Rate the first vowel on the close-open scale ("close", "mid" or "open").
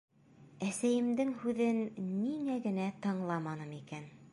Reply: open